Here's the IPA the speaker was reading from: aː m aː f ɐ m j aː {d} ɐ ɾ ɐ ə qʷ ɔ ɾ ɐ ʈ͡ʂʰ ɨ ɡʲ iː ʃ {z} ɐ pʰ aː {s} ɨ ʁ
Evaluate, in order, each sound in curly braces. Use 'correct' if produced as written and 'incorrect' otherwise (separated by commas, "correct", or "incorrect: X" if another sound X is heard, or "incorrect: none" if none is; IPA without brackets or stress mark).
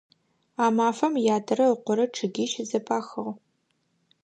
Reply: correct, correct, incorrect: x